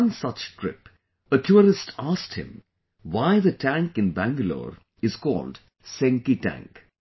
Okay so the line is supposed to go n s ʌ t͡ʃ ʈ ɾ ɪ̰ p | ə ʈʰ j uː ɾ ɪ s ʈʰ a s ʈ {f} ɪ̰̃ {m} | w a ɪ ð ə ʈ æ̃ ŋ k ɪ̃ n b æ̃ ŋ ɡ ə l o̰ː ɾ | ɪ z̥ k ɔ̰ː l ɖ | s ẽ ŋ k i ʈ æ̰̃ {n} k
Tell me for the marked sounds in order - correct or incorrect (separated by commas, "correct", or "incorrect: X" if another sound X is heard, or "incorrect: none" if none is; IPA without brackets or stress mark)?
incorrect: h, correct, incorrect: ŋ